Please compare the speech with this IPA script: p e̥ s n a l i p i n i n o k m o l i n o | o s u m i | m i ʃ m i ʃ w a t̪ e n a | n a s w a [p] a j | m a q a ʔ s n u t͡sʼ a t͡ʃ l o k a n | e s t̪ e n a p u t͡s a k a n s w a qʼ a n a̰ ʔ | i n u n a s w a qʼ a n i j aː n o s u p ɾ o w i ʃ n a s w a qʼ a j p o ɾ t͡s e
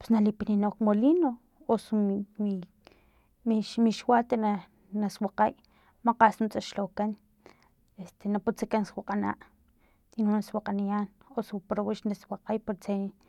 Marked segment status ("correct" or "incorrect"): incorrect